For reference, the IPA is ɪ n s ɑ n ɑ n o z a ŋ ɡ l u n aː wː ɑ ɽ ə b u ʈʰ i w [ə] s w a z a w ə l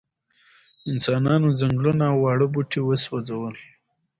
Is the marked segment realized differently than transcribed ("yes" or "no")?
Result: no